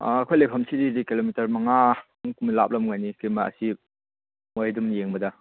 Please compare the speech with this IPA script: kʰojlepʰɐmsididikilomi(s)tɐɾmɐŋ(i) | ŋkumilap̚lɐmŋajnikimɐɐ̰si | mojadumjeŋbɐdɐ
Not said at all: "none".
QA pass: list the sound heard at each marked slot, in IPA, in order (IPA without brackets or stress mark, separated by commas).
none, a